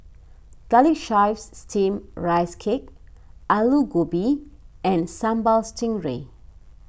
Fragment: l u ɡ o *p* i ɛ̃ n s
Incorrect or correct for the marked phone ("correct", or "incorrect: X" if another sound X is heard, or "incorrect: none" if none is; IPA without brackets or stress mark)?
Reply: incorrect: b